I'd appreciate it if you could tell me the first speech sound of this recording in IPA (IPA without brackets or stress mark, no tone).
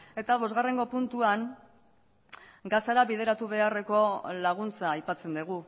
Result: e̞